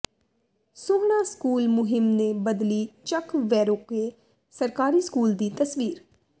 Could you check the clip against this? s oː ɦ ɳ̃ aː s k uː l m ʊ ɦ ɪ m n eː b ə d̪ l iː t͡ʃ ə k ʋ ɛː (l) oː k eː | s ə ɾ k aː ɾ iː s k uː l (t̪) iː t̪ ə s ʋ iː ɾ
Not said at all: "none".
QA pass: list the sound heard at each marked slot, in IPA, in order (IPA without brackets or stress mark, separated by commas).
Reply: ɾ, d̪